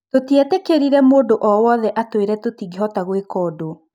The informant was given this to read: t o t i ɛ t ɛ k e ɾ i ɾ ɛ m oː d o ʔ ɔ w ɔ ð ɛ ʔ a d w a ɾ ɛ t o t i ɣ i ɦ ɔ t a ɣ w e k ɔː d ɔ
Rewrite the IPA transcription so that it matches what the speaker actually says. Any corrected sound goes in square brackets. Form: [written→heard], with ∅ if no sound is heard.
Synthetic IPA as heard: t o t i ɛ t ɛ k e ɾ i ɾ ɛ m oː d o ʔ ɔ w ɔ ð ɛ ʔ a [d→t] w [a→e] ɾ ɛ t o t i ɣ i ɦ ɔ t a ɣ w e k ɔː d [ɔ→o]